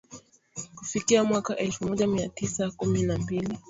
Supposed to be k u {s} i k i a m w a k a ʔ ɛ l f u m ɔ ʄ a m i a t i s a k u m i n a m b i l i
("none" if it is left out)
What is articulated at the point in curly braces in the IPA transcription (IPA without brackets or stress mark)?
f